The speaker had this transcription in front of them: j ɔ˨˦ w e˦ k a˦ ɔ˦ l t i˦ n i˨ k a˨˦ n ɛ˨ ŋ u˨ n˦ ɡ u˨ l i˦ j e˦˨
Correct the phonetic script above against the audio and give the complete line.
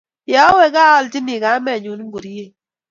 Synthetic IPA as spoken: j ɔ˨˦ w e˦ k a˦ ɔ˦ l t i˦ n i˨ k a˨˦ m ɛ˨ ɲ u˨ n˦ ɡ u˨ ɾ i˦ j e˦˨